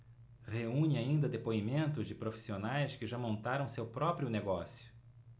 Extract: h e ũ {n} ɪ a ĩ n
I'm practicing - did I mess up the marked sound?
yes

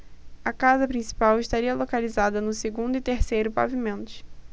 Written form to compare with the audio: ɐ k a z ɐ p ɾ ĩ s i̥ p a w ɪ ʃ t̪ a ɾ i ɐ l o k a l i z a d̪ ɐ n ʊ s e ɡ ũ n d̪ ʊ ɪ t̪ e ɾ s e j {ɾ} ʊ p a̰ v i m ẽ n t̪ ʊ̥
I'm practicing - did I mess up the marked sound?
no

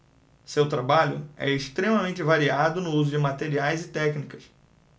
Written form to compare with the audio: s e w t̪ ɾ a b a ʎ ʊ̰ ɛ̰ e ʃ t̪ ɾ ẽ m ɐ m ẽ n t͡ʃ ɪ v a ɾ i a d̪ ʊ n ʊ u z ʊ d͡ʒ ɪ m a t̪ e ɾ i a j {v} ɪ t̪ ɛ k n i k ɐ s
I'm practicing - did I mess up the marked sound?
yes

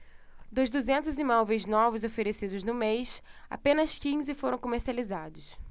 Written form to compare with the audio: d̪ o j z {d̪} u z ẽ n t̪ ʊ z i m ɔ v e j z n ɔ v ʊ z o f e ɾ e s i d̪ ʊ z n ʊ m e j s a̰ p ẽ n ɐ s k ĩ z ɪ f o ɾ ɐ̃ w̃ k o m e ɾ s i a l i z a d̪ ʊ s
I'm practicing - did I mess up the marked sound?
no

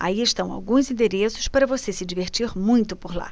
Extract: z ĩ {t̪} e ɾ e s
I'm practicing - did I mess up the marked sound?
yes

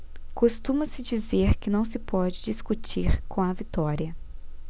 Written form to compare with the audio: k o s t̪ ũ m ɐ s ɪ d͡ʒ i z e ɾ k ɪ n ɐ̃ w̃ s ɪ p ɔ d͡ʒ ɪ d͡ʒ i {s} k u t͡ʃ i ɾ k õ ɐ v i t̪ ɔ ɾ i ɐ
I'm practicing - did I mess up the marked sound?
no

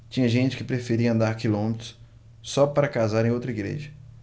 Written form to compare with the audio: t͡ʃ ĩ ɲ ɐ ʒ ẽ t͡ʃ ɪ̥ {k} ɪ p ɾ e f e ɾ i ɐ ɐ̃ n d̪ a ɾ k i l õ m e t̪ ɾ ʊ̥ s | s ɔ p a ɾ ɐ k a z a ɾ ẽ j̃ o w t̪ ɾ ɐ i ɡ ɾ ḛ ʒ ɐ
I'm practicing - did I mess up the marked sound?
no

